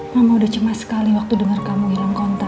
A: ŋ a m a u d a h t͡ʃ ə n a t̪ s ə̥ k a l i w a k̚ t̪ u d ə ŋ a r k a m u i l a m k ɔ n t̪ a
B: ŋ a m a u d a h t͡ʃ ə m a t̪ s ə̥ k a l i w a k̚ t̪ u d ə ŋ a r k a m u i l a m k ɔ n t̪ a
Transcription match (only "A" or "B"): B